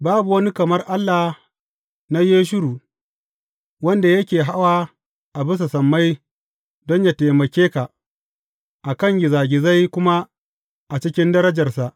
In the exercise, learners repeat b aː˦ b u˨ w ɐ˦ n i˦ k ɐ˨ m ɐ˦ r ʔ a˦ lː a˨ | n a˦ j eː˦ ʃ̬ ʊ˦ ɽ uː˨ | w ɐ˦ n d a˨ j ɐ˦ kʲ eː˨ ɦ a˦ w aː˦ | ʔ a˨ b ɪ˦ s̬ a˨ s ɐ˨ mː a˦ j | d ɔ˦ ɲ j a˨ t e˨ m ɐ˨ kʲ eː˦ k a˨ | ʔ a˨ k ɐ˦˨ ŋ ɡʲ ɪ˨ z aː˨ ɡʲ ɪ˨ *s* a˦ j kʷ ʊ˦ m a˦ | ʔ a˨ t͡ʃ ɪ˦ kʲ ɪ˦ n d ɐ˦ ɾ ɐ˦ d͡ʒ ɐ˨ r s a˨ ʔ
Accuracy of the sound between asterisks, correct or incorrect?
incorrect